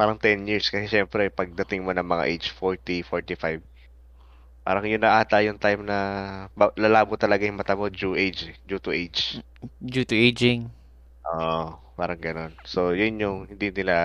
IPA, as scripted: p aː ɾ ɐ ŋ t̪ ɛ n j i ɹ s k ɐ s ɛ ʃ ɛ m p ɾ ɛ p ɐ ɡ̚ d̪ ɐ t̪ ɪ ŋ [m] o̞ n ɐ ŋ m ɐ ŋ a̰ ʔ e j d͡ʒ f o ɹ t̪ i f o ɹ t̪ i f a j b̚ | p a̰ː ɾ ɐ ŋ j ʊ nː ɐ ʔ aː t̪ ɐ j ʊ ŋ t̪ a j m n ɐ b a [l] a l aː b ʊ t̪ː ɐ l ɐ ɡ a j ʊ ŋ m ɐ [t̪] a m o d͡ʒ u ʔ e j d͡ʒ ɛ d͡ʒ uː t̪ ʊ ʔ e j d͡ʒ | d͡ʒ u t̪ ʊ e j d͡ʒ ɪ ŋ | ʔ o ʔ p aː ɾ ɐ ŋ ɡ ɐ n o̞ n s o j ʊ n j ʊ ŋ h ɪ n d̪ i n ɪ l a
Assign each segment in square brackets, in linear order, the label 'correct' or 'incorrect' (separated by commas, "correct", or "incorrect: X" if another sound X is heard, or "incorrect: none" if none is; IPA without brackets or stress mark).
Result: correct, correct, correct